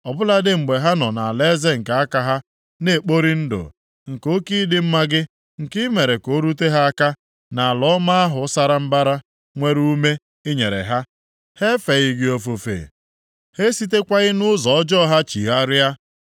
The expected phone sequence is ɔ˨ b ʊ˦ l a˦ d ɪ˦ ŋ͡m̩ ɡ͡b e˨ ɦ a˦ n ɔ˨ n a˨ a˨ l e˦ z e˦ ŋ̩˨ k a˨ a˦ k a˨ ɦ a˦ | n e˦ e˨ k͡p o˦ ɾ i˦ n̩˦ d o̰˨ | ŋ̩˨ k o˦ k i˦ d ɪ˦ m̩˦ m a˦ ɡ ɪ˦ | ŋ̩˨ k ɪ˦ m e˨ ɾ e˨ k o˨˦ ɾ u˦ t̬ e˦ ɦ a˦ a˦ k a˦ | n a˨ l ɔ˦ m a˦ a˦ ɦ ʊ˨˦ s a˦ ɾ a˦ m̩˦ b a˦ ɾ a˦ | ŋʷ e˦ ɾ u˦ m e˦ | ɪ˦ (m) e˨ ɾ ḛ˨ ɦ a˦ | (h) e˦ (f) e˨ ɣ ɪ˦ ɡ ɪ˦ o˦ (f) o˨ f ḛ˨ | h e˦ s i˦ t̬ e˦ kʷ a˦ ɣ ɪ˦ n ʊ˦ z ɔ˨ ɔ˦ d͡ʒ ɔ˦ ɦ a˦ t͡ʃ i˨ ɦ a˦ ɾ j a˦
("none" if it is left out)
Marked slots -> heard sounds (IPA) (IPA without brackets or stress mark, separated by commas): ɲ, h, f, f